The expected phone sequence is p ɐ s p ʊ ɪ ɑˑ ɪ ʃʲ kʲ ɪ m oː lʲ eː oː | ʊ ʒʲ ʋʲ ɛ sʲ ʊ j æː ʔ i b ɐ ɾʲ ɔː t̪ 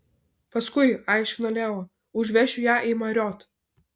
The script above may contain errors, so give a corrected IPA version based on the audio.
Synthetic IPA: p ɐ s k ʊ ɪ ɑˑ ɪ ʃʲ kʲ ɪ n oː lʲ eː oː | ʊ ʒʲ ʋʲ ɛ ʃʲ ʊ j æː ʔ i m ɐ ɾʲ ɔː t̪